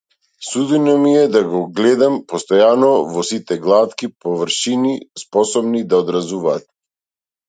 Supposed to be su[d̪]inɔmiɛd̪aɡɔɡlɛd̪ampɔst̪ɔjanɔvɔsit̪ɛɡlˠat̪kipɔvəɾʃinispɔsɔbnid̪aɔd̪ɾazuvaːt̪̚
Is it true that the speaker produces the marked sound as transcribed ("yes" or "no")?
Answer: yes